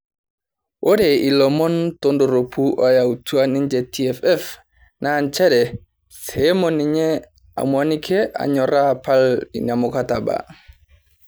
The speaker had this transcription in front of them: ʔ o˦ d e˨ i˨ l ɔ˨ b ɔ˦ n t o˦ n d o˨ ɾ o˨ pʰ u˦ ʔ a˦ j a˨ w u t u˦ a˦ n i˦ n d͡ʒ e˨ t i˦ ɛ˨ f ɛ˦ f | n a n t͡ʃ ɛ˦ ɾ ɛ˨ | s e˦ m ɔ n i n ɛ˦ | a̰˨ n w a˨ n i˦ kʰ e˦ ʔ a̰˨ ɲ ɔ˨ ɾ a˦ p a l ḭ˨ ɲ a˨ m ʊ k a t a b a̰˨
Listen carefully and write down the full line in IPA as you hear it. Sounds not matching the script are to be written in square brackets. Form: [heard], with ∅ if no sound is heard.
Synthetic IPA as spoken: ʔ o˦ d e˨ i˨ l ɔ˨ [m] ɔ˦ n t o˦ n d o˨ ɾ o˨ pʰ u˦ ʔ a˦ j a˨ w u t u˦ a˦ n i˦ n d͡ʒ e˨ t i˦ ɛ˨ f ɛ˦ f | n a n t͡ʃ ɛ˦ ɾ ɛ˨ | s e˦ m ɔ n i [ɲ] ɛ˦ | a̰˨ [m] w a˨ n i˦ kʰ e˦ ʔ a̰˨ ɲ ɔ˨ ɾ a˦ p a l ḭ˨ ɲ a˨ m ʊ k a t a b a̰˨